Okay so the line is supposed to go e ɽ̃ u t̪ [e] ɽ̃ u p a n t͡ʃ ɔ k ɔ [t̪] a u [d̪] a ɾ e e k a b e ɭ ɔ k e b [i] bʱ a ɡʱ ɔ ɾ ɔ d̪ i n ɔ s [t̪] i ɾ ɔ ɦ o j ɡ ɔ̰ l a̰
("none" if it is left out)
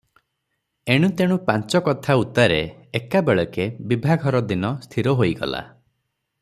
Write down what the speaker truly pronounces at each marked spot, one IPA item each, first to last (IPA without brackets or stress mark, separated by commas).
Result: e, t̪ʰ, t̪, i, t̪ʰ